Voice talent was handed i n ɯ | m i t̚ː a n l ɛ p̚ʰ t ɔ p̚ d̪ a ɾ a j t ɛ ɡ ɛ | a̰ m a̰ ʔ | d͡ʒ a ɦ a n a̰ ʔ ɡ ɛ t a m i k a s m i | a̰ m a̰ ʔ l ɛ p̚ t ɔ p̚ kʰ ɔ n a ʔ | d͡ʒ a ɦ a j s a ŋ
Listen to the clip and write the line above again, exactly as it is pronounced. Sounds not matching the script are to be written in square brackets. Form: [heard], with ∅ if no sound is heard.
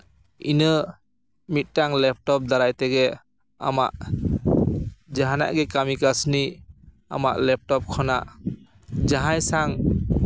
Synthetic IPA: i n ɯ | m i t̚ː a [ŋ] l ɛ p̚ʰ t ɔ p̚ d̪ a ɾ a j t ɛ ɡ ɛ | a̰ m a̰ ʔ | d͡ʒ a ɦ a n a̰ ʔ ɡ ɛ [k] a m i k a s [n] i | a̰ m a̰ ʔ l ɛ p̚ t ɔ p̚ kʰ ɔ n a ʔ | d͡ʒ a ɦ a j s a ŋ